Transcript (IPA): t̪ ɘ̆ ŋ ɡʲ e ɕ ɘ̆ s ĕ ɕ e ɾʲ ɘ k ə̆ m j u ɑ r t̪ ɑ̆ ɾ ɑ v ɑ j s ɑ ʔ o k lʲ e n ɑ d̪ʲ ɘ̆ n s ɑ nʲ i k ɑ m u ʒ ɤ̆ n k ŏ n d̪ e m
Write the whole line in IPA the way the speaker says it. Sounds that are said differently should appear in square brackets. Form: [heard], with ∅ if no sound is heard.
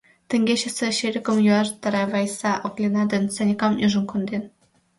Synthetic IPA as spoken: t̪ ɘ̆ ŋ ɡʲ e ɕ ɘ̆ s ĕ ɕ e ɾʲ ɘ k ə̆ m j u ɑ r t̪ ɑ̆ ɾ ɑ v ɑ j s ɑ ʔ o k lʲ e n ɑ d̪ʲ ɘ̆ n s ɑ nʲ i k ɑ m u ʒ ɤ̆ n k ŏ n d̪ e [n]